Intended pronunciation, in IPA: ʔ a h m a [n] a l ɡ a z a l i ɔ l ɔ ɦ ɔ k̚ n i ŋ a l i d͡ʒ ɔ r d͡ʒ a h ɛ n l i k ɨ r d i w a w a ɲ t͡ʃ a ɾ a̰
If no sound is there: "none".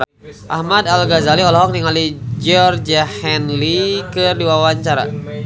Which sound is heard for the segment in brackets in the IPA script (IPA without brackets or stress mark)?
d